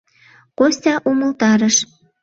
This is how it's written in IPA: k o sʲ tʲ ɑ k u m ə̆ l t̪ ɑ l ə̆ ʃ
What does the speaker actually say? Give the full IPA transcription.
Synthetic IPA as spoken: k o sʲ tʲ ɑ ʔ u m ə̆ l t̪ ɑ ɾ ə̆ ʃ